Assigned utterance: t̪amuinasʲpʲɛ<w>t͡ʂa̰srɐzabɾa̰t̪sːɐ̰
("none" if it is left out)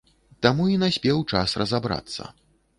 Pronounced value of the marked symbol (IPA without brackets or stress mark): w